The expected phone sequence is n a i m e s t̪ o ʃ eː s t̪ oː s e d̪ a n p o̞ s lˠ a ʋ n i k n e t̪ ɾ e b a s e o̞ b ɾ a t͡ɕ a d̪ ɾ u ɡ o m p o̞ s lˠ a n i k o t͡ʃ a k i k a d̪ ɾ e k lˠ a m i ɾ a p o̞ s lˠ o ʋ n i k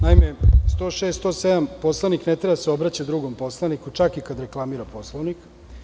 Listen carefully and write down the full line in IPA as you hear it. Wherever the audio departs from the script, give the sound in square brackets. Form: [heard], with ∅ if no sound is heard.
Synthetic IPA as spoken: n a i m e s t̪ o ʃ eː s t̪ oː s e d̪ a [m] p o̞ s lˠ a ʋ n i k n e t̪ ɾ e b a s e o̞ b ɾ a t͡ɕ a d̪ ɾ u ɡ o m p o̞ s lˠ a n i k [u] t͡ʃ a k i k a d̪ ɾ e k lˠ a m i ɾ a p o̞ s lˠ o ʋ n i k